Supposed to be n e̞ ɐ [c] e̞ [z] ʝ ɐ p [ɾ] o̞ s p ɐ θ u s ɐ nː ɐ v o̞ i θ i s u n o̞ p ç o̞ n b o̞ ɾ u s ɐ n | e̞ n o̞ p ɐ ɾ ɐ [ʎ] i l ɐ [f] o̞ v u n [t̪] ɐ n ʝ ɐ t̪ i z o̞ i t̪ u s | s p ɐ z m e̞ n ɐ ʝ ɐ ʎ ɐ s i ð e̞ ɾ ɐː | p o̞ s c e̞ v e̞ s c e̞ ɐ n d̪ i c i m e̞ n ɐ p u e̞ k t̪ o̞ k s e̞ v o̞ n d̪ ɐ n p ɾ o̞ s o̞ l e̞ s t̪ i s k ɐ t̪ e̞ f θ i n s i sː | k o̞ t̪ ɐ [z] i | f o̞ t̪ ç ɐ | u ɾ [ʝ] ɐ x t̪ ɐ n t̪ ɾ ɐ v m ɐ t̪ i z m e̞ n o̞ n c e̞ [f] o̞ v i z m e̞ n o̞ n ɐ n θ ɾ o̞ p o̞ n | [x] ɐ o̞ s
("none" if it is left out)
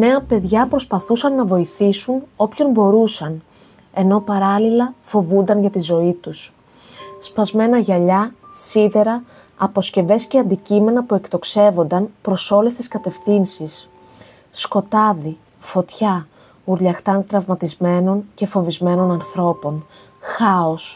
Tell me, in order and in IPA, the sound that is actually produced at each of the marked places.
p, ð, ɾ, l, f, d̪, ð, ʎ, f, x

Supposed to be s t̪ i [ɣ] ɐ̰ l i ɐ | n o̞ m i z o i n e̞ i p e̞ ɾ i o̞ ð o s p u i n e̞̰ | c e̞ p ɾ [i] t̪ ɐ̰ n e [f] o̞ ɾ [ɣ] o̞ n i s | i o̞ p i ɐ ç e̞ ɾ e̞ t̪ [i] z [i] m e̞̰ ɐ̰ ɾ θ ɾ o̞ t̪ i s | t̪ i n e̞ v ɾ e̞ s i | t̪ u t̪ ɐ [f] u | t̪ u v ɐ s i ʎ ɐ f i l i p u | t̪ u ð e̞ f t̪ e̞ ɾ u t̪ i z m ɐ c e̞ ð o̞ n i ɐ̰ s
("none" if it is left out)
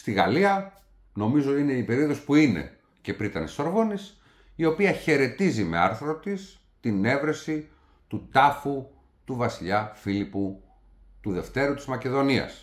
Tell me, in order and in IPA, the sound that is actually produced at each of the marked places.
ɣ, i, s, v, i, i, f

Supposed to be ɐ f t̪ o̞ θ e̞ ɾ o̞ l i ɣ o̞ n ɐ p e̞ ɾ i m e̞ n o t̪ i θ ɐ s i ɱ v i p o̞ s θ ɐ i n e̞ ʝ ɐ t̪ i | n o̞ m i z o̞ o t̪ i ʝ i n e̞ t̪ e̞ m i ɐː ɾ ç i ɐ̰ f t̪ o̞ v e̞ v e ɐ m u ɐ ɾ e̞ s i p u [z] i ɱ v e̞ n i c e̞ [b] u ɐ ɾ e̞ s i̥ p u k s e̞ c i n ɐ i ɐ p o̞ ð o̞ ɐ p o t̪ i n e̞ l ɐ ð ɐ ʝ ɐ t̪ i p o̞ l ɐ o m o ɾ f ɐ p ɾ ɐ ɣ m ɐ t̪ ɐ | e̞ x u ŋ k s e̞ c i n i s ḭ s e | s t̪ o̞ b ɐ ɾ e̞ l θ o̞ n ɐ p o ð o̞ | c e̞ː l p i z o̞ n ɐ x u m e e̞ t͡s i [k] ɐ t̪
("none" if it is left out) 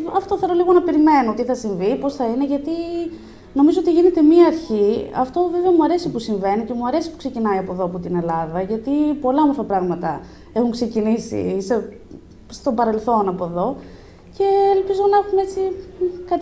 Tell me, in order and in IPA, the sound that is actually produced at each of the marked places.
s, m, k

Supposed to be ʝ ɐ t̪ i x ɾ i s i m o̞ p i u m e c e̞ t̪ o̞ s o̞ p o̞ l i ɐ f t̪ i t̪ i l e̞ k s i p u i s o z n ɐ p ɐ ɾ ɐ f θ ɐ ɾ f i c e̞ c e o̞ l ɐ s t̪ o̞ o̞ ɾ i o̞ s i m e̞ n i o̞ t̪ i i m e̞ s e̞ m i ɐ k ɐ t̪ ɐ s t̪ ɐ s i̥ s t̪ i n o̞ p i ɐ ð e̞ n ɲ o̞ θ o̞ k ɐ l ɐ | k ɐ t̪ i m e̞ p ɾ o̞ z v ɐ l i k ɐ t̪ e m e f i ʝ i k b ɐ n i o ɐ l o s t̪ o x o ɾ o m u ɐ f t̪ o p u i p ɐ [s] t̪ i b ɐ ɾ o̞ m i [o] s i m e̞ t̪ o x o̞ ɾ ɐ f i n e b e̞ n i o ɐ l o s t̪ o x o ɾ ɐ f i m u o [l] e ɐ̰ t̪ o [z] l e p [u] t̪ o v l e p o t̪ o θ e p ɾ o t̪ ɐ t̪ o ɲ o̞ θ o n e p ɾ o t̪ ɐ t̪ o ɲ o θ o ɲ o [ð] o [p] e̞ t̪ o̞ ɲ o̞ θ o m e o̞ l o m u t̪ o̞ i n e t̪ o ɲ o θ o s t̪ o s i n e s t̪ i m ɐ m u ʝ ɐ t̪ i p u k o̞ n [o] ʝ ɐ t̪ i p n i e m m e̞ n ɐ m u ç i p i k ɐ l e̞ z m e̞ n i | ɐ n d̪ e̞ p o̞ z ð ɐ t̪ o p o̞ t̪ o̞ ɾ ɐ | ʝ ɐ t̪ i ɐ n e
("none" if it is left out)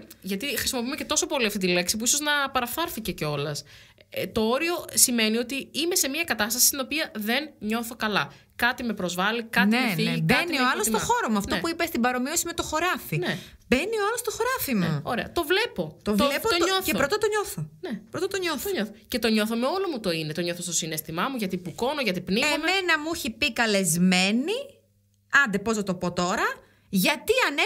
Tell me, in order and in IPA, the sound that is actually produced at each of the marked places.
s, o, ɾ, v, o, θ, c, o

